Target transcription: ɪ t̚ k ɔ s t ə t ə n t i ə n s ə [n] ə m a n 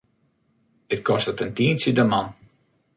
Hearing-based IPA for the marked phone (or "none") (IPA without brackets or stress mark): d